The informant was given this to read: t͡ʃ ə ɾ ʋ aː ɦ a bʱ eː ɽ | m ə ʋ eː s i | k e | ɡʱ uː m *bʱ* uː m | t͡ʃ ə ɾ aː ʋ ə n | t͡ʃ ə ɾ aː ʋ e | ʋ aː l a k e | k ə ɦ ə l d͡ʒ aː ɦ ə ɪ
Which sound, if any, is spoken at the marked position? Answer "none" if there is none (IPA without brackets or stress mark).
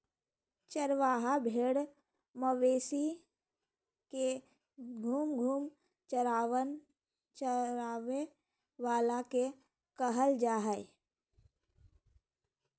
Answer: ɡʱ